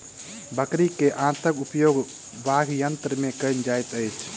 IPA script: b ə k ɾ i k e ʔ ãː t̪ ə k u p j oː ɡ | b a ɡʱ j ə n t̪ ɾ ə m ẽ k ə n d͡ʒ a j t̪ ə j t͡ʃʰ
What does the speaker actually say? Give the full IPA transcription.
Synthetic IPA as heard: b ə k ɾ i k e ʔ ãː t̪ ə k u p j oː ɡ | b a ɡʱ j ə n t̪ ɾ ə m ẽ k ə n d͡ʒ a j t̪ ə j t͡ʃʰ